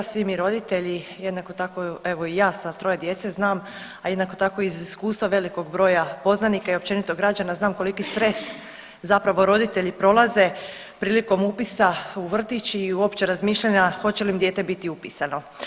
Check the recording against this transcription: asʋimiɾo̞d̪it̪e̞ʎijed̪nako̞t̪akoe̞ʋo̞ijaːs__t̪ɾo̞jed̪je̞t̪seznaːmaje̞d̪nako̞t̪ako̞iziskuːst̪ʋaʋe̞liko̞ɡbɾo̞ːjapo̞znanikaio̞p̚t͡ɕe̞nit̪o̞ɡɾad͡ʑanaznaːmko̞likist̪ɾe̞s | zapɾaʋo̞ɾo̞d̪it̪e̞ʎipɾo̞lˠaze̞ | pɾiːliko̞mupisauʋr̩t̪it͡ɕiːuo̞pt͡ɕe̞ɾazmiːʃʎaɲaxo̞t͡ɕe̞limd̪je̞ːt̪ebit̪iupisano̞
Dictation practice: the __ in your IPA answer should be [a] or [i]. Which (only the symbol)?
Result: a